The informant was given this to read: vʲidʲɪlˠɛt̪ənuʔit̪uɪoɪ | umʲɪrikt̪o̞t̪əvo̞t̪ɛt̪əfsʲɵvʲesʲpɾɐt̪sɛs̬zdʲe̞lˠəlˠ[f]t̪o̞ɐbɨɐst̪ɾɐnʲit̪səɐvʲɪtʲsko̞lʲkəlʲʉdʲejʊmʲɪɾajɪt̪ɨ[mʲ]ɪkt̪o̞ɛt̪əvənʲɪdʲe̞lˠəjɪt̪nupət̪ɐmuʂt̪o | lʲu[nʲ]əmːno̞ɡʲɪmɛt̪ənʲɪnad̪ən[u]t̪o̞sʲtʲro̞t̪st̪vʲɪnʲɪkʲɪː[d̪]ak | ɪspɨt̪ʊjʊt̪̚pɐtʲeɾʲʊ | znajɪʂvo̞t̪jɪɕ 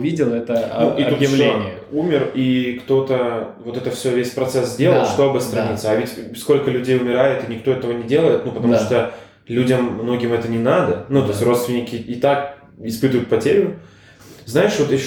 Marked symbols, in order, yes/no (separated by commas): no, no, no, yes, no